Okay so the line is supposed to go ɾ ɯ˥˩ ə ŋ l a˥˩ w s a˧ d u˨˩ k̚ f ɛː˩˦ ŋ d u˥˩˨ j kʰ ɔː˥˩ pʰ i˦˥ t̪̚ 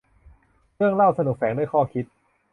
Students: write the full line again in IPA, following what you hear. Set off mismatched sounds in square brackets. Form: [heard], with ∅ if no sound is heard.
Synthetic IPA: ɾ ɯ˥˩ ə ŋ l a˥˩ w s a˧ [n] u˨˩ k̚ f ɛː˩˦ ŋ d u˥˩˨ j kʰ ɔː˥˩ [kʰ] i˦˥ t̪̚

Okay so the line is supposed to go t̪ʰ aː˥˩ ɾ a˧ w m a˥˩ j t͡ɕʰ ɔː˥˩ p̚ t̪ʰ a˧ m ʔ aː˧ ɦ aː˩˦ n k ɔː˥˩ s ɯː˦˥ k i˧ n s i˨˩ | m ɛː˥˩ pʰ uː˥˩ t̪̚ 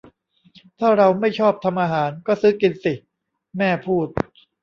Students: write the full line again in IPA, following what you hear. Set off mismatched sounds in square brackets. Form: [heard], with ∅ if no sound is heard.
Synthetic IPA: t̪ʰ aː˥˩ ɾ a˧ w m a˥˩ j t͡ɕʰ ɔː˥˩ p̚ t̪ʰ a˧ m ʔ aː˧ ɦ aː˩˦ n k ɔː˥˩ s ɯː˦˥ k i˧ n s i˨˩ | m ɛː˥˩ pʰ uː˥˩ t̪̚

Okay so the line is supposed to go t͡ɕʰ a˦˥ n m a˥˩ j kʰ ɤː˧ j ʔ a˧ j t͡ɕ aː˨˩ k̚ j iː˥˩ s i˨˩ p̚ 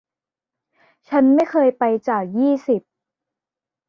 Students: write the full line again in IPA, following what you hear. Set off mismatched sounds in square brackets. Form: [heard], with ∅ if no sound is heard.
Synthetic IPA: t͡ɕʰ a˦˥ n m a˥˩ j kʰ ɤː˧ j [p] a˧ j t͡ɕ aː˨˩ k̚ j iː˥˩ s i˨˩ p̚

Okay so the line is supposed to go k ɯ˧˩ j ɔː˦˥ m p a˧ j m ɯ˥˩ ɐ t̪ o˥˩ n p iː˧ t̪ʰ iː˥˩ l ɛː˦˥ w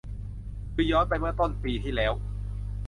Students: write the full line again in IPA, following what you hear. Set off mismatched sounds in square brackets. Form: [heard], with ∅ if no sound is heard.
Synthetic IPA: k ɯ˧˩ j ɔː˦˥ [n] p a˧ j m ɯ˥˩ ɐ t̪ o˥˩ n p iː˧ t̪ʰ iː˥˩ l ɛː˦˥ w

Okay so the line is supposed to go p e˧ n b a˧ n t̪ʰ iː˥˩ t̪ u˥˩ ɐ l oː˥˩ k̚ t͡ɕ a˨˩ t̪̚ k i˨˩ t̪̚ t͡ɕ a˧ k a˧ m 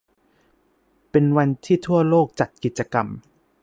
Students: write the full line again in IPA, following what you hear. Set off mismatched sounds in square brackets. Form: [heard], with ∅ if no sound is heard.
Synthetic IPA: p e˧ n [w] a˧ n t̪ʰ iː˥˩ [t̪ʰ] u˥˩ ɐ l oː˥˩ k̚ t͡ɕ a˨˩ t̪̚ k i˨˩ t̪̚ t͡ɕ a˧ k a˧ m

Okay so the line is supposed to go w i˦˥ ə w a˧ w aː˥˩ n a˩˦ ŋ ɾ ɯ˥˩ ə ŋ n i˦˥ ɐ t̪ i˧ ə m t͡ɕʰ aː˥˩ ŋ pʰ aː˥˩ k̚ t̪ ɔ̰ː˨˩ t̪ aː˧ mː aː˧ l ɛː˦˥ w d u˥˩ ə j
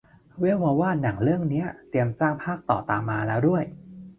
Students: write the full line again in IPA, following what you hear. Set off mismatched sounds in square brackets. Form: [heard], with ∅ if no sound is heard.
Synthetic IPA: w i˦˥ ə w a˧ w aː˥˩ n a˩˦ ŋ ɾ ɯ˥˩ ə ŋ n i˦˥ ɐ t̪ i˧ ə m [t͡ɕ] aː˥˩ ŋ pʰ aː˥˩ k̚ t̪ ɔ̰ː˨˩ t̪ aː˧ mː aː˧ l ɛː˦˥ w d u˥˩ ə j

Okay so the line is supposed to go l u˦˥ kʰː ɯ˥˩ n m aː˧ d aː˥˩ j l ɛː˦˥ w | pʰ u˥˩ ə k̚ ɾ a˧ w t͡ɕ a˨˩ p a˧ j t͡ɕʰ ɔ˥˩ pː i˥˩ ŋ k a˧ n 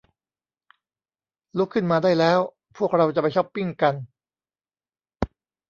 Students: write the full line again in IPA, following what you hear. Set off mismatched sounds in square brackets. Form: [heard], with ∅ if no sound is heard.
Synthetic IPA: l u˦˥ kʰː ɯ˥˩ n m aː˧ d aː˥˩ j l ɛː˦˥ w | pʰ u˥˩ ə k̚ ɾ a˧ w t͡ɕ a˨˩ p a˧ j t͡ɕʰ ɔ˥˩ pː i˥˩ ŋ k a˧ n

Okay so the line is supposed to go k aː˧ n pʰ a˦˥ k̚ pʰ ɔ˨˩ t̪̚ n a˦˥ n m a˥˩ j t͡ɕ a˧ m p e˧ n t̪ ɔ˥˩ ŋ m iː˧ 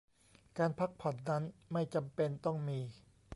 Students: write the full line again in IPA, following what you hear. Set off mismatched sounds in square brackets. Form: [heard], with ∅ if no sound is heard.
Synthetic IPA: k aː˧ n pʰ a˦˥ k̚ pʰ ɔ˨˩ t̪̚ n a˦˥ n m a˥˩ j t͡ɕ a˧ m p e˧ n t̪ ɔ˥˩ ŋ m iː˧

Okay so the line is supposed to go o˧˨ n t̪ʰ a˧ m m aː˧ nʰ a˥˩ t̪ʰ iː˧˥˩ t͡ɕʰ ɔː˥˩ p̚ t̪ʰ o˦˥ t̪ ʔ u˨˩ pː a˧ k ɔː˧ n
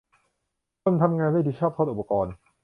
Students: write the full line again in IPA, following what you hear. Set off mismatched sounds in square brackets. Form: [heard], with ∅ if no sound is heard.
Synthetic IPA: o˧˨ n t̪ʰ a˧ m [ŋ] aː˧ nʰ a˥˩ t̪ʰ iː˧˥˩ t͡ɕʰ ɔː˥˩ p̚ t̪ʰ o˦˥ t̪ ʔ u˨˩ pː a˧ k ɔː˧ n

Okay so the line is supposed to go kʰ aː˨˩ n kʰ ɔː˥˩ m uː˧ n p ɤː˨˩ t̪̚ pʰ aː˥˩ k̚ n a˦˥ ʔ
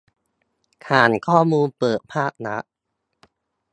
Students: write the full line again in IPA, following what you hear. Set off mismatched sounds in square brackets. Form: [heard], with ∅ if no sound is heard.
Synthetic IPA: kʰ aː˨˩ n kʰ ɔː˥˩ m uː˧ n p ɤː˨˩ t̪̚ pʰ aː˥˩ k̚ n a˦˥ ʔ

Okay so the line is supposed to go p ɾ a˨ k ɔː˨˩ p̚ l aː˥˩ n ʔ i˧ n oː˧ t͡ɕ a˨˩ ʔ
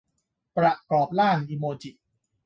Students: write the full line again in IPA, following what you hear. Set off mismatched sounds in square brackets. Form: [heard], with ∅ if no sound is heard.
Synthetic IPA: p ɾ a˨ k ɔː˨˩ p̚ l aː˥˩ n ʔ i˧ [m] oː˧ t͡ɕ [i˨˩] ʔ

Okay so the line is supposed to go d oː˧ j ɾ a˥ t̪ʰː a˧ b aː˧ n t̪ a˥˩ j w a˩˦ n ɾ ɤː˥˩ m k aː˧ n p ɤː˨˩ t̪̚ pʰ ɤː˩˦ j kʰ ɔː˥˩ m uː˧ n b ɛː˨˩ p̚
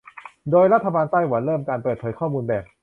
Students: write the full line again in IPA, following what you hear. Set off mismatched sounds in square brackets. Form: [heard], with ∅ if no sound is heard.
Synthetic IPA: d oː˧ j ɾ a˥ t̪ʰː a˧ b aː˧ n t̪ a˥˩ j w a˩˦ n ɾ ɤː˥˩ m k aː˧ n p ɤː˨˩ t̪̚ pʰ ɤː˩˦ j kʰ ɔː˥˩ m uː˧ n b ɛː˨˩ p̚

